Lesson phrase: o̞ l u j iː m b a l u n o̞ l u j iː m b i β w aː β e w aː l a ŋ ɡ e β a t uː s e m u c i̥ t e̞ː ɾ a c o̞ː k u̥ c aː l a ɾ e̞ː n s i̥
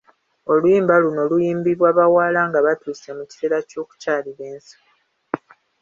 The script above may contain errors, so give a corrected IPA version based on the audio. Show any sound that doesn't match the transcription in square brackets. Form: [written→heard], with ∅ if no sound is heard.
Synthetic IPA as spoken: o̞ l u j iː m b a l u n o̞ l u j iː m b i β w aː β [e→a] w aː l a ŋ ɡ [e→a] β a t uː s e m u c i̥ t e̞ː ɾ a c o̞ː k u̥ c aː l [a→i] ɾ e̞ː n s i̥